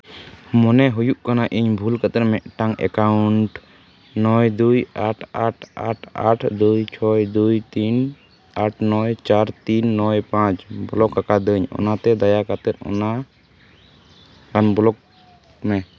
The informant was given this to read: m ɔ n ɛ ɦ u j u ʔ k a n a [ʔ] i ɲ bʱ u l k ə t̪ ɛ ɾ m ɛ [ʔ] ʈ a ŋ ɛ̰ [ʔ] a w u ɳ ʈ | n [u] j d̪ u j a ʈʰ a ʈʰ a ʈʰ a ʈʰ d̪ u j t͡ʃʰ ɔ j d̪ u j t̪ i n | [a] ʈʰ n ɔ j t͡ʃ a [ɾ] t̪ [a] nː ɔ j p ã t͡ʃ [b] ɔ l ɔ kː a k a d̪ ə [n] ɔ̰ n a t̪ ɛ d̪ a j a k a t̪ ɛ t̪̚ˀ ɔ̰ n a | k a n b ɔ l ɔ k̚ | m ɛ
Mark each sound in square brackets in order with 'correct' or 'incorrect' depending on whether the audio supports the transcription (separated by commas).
correct, correct, incorrect, incorrect, correct, correct, incorrect, correct, incorrect